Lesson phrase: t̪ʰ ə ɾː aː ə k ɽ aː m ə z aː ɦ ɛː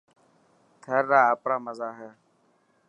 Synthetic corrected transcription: t̪ʰ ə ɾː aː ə p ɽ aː m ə z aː ɦ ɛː